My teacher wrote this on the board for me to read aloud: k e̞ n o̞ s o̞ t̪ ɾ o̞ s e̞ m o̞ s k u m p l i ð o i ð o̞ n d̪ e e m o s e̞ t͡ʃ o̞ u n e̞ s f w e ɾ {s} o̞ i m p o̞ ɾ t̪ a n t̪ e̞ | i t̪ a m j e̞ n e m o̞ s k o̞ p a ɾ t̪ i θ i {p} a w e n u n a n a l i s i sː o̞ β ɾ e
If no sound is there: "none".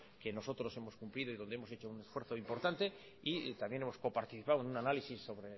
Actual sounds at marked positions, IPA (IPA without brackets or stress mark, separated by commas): θ, p